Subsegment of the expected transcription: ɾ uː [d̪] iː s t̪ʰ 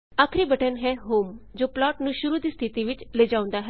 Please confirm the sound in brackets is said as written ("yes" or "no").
yes